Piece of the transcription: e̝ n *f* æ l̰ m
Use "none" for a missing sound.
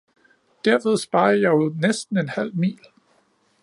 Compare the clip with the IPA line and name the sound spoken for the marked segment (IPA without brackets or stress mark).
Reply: h